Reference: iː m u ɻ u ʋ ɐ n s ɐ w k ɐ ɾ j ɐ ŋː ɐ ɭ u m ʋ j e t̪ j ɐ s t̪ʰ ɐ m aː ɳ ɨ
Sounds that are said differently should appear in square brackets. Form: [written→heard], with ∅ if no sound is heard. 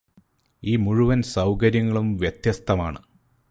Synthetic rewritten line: iː m u ɻ u ʋ ɐ n s ɐ w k ɐ ɾ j ɐ ŋː ɐ ɭ u m ʋ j e t̪ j ɐ s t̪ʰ ɐ m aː ɳ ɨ